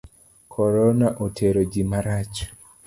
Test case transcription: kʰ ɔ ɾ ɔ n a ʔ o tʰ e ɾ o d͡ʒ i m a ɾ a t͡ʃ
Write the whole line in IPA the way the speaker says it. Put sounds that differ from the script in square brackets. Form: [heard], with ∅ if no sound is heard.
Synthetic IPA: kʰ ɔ ɾ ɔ n a ʔ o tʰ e ɾ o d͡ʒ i m a ɾ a t͡ʃ